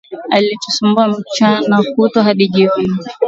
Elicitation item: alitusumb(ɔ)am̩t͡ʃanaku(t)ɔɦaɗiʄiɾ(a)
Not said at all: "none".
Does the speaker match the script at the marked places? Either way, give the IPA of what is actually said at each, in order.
u, t, i

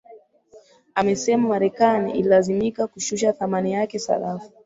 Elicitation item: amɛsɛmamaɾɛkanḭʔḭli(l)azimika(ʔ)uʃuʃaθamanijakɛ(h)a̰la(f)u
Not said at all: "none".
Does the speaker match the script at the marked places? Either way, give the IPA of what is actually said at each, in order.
l, k, s, f

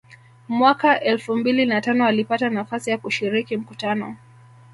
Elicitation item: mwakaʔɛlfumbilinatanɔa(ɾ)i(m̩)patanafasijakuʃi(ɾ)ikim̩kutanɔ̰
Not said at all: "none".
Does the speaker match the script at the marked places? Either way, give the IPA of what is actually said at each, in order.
l, none, ɾ

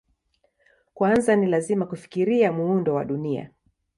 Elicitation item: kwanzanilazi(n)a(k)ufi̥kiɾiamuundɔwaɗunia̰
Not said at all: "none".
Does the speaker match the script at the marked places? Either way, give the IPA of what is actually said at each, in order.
m, k

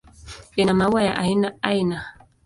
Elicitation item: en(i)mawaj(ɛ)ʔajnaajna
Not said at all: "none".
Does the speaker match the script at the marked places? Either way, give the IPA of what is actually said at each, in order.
a, a

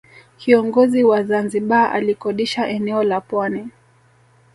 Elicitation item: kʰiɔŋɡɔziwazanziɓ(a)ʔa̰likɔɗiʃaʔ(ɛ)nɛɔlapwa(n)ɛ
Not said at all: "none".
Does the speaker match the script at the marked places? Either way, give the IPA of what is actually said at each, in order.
a, ɛ, n

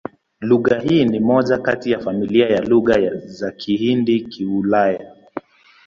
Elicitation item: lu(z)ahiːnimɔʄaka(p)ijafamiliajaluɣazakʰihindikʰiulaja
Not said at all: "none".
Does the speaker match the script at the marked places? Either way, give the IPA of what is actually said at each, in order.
ɣ, t

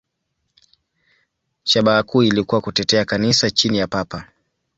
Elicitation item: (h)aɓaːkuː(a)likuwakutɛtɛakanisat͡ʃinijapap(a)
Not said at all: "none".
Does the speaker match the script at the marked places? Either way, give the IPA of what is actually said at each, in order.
ʃ, i, a

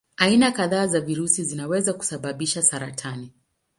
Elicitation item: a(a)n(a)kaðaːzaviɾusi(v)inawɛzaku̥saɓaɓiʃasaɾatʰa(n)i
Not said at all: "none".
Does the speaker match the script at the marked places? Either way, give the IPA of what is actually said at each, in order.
i, a, z, n

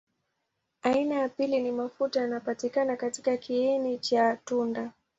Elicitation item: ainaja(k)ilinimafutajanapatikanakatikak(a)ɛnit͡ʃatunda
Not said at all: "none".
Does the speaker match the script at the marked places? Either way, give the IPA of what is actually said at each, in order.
p, i

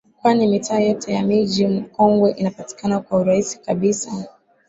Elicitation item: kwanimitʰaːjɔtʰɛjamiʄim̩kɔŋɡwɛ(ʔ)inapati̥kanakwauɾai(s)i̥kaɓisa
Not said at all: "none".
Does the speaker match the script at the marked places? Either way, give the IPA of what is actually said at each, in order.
ʔ, s

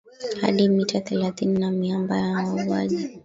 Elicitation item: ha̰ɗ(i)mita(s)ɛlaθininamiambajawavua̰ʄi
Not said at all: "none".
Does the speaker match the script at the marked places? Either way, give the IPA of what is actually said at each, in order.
i, θ

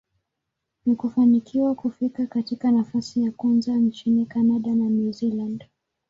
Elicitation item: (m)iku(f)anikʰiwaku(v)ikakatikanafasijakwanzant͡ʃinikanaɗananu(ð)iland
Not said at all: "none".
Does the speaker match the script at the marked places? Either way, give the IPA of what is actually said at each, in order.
n, f, f, z

